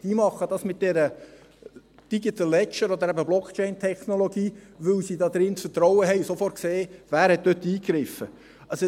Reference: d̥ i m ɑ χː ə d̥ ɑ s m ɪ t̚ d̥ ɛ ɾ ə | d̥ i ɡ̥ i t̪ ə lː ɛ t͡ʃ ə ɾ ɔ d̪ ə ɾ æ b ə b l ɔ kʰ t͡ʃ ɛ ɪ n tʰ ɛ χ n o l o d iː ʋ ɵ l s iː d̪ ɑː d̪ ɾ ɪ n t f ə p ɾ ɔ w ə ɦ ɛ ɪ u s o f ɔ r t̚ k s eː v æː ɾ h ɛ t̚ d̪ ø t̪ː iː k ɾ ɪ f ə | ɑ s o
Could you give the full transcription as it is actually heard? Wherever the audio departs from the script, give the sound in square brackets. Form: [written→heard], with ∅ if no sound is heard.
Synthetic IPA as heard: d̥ i m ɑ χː ə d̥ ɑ s m ɪ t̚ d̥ ɛ ɾ ə | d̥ i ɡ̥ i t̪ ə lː ɛ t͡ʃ ə ɾ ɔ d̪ ə ɾ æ b ə b l ɔ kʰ t͡ʃ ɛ ɪ n tʰ ɛ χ n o l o [d→ɡ] iː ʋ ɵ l s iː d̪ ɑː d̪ ɾ ɪ n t f ə [p→t] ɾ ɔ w ə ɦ ɛ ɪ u s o f ɔ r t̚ k s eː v æː ɾ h ɛ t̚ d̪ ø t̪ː iː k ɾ ɪ f ə | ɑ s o